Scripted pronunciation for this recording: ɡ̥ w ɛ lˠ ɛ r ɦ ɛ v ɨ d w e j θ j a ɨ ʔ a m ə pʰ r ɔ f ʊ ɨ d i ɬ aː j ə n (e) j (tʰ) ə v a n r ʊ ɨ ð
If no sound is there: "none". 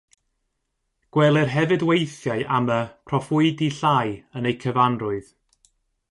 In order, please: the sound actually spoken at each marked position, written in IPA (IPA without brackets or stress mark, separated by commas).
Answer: e, kʰ